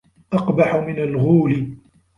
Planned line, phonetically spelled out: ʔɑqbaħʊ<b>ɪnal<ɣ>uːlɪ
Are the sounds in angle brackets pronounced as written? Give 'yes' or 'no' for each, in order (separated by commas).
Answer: no, yes